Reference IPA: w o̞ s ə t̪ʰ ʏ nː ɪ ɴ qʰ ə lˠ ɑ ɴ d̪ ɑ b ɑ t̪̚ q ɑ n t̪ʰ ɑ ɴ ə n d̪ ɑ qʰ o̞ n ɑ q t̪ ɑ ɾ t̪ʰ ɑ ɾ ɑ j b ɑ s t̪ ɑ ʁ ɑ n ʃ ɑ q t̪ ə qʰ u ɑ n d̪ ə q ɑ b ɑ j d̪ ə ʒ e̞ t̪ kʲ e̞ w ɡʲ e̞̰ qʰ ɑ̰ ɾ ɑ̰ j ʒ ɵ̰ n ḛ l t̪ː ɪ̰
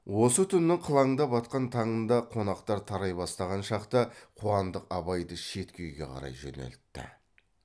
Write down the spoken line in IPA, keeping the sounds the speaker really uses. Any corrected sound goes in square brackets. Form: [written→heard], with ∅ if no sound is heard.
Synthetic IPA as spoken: w o̞ s ə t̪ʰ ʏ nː ɪ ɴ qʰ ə lˠ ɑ ɴ d̪ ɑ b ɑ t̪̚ q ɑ n t̪ʰ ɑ ɴ ə n d̪ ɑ qʰ o̞ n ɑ q t̪ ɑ ɾ t̪ʰ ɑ ɾ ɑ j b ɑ s t̪ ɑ ʁ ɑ n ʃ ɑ q t̪ ə qʰ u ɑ n d̪ ə q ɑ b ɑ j d̪ ə [ʒ→ʃ] e̞ t̪ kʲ e̞ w ɡʲ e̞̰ qʰ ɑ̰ ɾ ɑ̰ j ʒ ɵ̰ n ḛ l t̪ː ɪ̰